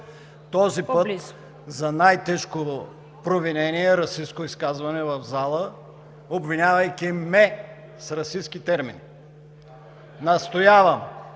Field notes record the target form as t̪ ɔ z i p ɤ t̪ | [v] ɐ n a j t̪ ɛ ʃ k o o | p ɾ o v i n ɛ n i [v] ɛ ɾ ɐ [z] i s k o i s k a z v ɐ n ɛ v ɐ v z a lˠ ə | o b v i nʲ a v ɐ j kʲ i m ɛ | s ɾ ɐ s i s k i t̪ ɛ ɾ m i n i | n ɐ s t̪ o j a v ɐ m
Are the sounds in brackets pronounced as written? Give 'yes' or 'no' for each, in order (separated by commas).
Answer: no, no, no